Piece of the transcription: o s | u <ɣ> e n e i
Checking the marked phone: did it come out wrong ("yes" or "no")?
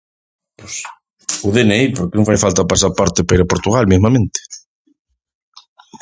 yes